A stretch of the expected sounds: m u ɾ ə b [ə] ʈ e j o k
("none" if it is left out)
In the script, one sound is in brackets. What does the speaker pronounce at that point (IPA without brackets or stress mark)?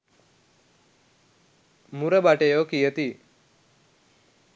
a